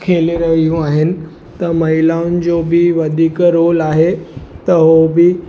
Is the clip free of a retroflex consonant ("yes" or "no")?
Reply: yes